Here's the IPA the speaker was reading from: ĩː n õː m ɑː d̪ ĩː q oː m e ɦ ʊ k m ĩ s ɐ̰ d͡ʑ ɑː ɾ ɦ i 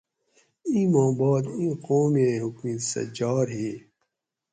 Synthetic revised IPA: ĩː m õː b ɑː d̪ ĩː q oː m e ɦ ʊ k m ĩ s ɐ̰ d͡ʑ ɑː ɾ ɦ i